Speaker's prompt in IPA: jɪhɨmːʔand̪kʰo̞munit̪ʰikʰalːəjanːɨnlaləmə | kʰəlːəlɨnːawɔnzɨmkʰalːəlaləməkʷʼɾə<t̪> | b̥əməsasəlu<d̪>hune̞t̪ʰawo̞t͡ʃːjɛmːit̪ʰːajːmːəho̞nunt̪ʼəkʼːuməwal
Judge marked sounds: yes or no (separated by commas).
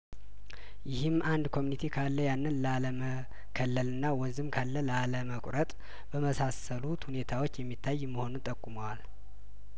no, no